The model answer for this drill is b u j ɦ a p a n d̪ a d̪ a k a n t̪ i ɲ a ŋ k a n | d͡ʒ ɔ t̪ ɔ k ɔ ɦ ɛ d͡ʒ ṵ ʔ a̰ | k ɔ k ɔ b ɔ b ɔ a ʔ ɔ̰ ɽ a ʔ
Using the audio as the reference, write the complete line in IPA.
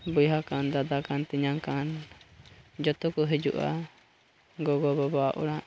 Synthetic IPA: b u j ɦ a k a n d̪ a d̪ a k a n t̪ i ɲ a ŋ k a n | d͡ʒ ɔ t̪ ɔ k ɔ ɦ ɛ d͡ʒ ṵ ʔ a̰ | ɡ ɔ ɡ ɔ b ɔ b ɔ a ʔ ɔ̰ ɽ a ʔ